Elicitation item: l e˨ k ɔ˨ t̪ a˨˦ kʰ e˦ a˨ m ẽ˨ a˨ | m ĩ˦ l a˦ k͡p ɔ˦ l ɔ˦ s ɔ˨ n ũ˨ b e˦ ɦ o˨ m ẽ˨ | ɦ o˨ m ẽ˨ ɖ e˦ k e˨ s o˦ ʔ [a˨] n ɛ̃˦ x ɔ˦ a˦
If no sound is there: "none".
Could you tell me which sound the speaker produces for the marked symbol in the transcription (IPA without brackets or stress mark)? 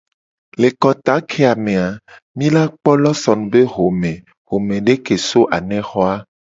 a˨